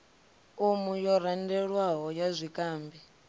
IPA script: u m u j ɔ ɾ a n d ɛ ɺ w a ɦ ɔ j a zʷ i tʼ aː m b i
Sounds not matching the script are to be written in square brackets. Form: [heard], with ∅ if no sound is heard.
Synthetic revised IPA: u m u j ɔ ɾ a n d ɛ ɺ w a ɦ ɔ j a zʷ i [kʼ] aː m b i